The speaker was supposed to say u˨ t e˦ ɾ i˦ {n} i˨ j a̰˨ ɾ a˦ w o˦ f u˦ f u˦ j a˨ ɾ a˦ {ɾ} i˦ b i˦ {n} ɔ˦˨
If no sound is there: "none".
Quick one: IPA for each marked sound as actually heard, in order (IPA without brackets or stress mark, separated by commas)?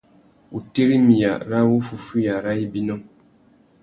m, none, n